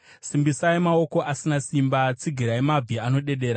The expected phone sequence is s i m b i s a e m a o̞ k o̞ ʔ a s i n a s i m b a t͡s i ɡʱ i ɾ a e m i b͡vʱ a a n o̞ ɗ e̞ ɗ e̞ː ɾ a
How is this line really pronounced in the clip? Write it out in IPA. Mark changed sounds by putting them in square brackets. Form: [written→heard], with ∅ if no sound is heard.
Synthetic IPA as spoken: s i m b i s a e m a o̞ k o̞ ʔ a s i n a s i m b a t͡s i ɡʱ i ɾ a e m [i→a] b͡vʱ [a→i] a n o̞ ɗ e̞ ɗ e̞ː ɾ a